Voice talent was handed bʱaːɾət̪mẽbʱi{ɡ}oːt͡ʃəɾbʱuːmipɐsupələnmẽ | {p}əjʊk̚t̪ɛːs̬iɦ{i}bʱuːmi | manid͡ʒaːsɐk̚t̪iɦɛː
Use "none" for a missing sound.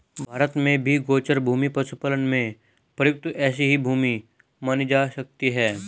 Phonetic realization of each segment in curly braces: ɡ, p, i

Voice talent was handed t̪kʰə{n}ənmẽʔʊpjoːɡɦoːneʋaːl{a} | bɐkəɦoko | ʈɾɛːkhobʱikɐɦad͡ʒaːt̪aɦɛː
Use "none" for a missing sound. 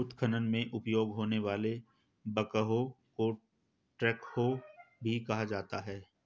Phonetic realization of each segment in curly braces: n, e

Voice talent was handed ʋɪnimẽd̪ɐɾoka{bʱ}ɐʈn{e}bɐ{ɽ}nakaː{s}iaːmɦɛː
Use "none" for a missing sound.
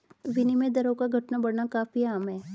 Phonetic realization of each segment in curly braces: ɡʱ, a, ɽ, f

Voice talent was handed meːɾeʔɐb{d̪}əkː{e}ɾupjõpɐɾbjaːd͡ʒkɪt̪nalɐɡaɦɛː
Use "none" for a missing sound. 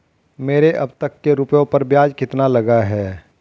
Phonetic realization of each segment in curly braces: t̪, e

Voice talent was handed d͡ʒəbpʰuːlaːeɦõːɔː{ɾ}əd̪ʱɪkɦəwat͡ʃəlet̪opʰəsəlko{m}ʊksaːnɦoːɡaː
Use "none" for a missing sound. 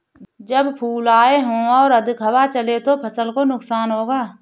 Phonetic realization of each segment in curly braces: ɾ, n

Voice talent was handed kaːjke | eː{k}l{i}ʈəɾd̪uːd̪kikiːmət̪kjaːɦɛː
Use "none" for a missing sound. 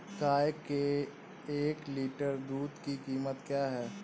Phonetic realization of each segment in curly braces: k, iː

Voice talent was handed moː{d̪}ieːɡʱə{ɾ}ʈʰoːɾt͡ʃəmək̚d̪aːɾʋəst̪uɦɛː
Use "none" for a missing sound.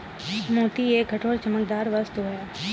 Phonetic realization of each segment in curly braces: t̪, none

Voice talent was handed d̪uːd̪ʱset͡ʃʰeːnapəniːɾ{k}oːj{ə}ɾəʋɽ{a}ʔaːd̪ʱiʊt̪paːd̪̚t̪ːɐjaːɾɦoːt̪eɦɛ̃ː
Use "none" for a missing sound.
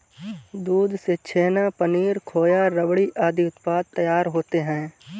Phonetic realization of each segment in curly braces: kʰ, a, i

